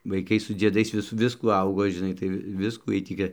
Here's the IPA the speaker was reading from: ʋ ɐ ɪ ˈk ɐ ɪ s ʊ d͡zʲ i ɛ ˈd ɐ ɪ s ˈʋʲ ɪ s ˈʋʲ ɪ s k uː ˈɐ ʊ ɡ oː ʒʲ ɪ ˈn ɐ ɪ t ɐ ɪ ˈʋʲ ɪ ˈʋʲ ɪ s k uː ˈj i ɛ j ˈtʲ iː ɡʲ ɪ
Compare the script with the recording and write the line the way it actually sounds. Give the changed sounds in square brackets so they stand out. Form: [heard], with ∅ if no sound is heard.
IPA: ʋ ɐ ɪ ˈk ɐ ɪ s ʊ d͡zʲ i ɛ ˈd ɐ ɪ s ˈʋʲ ɪ s ˈʋʲ ɪ s k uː ˈɐ ʊ ɡ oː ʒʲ ɪ ˈn ɐ ɪ t ɐ ɪ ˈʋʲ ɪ ˈʋʲ ɪ s k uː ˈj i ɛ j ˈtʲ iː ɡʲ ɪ